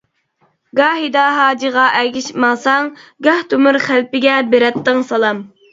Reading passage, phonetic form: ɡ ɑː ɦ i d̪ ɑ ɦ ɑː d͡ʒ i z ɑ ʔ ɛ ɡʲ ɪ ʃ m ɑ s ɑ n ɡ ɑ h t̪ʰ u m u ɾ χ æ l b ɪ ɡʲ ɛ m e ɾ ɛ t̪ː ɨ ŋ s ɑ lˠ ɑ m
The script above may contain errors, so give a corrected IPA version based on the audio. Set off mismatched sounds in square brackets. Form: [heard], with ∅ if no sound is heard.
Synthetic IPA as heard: ɡ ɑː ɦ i d̪ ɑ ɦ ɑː d͡ʒ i [ʁ] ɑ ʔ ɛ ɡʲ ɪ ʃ m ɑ s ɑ [ŋ] ɡ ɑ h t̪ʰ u m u ɾ χ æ l [p] ɪ ɡʲ ɛ [b] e ɾ ɛ t̪ː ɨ ŋ s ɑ lˠ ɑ m